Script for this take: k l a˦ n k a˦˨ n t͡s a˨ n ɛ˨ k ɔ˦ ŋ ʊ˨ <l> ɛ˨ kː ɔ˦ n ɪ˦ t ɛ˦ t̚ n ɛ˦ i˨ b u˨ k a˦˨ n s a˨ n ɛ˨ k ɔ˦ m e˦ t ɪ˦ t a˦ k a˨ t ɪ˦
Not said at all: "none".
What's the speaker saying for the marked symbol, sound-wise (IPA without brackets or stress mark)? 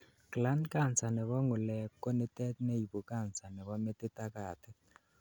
l